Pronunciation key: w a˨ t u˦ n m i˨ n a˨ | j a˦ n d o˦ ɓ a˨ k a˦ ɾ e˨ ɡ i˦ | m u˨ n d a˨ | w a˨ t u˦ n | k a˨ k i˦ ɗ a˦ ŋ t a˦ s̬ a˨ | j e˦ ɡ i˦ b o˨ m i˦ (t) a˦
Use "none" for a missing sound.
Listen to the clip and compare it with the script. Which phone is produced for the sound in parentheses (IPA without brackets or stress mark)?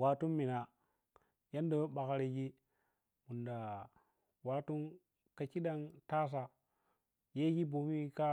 k